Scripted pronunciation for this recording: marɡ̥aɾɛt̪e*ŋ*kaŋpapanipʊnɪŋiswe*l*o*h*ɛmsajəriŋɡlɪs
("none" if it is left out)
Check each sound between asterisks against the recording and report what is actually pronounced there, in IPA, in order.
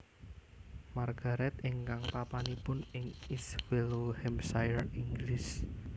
ŋ, l, h

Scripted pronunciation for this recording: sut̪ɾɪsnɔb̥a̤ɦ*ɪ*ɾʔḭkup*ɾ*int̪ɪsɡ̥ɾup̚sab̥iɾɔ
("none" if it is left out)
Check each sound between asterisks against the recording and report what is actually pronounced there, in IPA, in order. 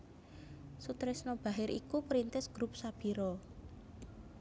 ɪ, ɾ

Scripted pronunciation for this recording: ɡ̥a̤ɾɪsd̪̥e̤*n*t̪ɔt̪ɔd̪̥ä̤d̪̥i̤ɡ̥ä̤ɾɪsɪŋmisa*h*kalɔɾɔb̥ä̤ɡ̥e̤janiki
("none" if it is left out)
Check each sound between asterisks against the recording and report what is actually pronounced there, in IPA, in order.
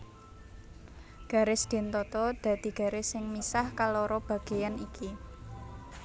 n, h

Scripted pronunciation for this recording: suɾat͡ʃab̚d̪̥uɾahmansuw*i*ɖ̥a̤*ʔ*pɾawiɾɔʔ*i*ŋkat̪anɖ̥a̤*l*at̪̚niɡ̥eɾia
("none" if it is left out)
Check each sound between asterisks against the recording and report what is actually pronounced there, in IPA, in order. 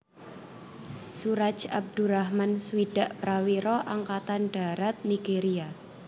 i, ʔ, a, ɾ

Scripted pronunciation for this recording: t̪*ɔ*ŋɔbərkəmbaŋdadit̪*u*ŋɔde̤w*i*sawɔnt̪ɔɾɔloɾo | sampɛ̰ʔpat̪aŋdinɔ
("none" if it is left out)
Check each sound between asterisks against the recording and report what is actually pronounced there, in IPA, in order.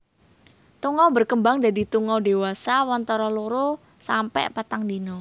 u, u, a

